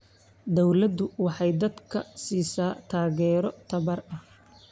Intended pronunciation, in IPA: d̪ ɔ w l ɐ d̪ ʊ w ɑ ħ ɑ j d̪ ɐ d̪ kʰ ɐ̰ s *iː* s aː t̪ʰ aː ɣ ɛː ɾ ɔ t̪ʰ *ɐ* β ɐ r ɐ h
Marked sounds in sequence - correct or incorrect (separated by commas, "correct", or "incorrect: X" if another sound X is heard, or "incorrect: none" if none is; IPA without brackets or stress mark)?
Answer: correct, correct